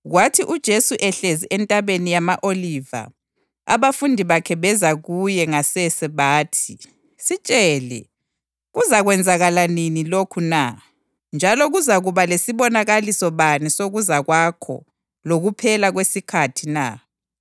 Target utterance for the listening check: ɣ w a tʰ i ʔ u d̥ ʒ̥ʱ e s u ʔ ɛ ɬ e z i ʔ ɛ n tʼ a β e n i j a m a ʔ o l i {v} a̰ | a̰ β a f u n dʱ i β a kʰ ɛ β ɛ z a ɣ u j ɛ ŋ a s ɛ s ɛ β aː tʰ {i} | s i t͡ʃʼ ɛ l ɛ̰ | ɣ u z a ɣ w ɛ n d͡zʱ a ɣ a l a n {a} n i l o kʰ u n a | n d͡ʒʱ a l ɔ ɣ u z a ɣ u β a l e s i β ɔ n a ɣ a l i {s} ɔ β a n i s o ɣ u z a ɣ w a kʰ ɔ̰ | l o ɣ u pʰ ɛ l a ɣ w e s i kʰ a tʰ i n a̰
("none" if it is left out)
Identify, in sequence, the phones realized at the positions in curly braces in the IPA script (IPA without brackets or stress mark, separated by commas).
v, i, i, s